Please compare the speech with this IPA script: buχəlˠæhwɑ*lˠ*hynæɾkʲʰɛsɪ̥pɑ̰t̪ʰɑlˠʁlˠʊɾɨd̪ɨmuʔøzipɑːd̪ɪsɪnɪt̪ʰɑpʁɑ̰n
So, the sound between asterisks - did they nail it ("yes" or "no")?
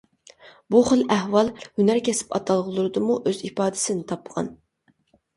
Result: yes